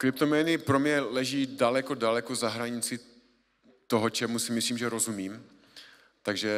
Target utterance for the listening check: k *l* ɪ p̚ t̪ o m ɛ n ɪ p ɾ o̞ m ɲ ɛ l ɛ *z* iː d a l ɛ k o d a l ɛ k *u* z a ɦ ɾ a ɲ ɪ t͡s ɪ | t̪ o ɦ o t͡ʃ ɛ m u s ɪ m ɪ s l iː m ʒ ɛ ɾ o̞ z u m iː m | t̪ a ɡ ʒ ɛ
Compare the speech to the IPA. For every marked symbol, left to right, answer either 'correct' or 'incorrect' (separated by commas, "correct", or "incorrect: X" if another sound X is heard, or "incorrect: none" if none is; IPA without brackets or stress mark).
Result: incorrect: ɾ, incorrect: ʒ, incorrect: o